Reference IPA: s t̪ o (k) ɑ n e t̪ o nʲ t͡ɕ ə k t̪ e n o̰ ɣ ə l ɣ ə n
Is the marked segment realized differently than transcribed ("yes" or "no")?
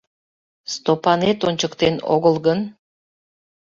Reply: yes